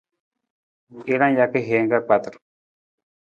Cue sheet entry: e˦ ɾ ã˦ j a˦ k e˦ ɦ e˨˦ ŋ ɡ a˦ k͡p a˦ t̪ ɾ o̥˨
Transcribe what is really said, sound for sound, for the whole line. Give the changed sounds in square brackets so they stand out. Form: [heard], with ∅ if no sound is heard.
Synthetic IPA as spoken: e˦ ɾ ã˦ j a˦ k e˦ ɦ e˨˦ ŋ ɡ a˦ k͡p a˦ t̪ ɾ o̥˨